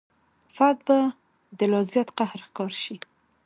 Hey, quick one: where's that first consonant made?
lips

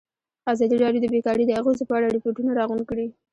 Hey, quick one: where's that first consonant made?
tongue tip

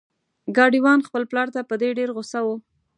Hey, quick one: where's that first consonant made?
velum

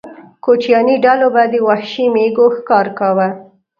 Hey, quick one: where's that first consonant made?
velum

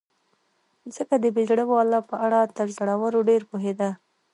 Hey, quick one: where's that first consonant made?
tongue tip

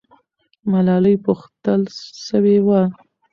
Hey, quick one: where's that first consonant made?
lips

